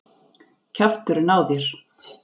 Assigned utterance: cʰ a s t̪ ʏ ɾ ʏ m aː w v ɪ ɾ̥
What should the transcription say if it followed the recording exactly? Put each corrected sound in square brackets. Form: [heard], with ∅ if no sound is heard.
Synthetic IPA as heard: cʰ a [f] t̪ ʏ ɾ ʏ [n] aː w [ð] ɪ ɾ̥